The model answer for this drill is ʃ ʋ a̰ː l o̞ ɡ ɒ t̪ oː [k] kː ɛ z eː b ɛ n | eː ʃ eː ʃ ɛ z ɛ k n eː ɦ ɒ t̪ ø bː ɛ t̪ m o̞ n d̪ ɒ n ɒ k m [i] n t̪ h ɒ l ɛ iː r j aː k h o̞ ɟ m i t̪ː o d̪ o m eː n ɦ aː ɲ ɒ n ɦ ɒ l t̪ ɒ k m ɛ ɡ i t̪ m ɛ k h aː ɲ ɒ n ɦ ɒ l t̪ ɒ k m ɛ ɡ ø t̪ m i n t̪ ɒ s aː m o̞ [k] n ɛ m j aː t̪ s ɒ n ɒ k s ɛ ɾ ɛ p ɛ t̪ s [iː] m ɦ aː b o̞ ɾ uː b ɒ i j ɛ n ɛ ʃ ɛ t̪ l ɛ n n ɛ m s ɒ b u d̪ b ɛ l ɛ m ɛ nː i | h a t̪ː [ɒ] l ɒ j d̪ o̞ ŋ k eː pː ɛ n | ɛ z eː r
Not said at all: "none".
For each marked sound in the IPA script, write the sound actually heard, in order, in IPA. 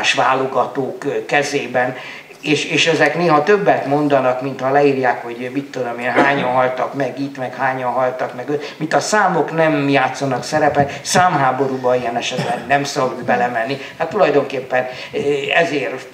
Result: k, i, k, aː, u

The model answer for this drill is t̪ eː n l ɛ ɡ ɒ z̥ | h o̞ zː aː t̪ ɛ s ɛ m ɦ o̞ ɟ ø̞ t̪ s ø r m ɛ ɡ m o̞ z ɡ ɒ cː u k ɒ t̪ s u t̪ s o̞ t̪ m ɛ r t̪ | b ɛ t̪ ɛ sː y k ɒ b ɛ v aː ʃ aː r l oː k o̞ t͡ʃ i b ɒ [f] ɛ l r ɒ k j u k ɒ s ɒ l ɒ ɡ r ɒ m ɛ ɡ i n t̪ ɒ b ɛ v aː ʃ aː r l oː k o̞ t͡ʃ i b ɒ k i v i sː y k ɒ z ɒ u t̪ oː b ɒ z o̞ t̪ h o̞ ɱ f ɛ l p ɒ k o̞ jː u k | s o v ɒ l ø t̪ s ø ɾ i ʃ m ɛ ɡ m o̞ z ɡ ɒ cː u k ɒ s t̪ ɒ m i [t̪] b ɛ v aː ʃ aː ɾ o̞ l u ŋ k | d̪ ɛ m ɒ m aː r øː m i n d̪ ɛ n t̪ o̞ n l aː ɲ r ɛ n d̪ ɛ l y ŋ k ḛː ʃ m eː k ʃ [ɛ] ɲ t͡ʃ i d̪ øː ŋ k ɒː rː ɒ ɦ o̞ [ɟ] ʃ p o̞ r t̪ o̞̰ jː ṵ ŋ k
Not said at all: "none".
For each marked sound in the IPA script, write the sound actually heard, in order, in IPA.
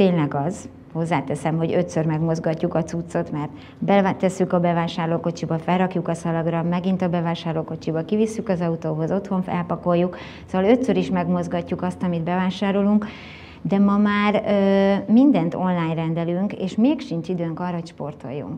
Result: f, d̪, i, c

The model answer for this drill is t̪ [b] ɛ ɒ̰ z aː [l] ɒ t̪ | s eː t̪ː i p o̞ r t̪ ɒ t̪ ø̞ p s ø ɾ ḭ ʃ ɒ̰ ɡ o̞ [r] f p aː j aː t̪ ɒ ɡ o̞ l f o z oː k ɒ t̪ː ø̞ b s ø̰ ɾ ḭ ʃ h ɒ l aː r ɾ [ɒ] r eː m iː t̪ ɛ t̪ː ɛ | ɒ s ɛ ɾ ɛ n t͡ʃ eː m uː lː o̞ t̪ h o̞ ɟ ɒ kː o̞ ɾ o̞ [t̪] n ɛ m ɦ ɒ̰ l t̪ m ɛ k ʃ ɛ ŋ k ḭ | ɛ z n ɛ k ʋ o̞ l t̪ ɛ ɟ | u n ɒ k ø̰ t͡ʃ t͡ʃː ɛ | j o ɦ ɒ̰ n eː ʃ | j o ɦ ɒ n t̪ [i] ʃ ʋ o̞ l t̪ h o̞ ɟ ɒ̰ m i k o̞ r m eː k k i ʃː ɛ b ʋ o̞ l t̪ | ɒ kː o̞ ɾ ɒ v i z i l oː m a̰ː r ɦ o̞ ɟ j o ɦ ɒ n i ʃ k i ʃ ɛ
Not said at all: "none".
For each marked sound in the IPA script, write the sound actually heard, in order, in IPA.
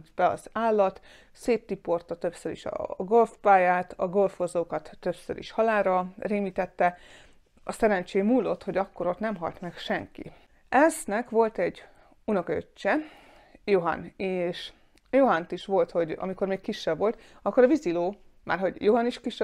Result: b, lː, l, ɒ, t̪, i

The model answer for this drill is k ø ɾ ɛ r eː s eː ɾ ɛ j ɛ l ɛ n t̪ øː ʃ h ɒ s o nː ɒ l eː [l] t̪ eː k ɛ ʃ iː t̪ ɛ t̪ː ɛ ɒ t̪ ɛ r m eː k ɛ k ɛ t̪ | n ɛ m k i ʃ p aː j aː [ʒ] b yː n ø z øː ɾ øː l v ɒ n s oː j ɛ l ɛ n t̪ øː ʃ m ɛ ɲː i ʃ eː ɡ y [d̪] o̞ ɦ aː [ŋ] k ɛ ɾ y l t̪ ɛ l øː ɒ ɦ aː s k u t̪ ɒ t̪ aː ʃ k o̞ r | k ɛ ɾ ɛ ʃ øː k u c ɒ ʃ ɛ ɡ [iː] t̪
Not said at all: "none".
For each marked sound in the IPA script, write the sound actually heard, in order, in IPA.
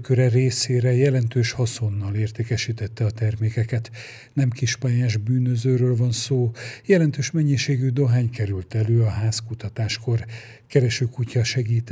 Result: r, ʒ, d̪, ɲ, iː

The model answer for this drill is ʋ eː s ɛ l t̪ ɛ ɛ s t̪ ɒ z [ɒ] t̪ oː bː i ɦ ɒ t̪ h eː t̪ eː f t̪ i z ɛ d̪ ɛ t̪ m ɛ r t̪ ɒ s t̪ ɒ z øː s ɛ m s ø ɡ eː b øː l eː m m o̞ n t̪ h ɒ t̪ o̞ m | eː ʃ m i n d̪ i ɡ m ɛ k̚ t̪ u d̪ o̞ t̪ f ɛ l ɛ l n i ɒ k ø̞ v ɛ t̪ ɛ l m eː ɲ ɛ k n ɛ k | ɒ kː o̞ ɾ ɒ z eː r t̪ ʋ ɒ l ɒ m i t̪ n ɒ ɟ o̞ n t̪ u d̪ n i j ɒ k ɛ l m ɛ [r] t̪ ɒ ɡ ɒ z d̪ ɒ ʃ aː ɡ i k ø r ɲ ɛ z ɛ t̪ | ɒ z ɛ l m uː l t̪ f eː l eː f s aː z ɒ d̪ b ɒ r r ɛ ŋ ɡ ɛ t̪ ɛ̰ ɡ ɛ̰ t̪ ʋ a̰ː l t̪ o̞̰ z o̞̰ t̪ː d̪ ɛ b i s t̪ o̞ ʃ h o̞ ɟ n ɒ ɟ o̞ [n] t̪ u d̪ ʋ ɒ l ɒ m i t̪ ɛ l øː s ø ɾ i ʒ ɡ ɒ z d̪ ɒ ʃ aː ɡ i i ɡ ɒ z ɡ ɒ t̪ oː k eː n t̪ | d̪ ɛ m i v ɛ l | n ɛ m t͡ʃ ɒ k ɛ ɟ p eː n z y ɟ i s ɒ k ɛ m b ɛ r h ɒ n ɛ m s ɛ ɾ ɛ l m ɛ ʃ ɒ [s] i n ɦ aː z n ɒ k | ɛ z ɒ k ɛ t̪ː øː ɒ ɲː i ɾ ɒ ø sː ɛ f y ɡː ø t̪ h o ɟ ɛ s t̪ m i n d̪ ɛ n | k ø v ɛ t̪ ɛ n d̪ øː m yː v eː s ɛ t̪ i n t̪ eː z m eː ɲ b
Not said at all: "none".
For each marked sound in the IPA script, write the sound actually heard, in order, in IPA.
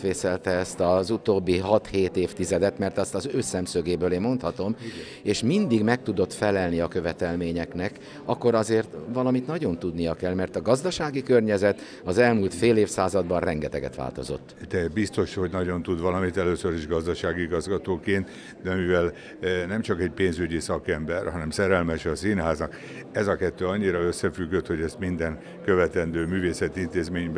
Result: u, r, n, s

